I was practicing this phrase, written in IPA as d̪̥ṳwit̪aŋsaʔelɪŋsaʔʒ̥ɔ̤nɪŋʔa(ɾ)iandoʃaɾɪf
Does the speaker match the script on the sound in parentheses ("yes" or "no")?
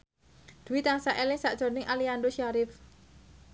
no